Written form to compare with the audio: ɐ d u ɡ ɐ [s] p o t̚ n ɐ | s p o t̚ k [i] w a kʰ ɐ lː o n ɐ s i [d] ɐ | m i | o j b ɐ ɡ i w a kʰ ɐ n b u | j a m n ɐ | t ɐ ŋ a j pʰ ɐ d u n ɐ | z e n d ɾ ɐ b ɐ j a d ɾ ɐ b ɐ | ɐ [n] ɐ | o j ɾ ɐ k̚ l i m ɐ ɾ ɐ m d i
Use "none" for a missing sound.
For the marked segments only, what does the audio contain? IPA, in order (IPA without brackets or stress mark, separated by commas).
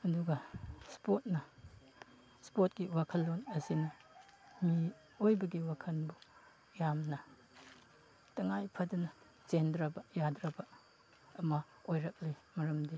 s, i, n, m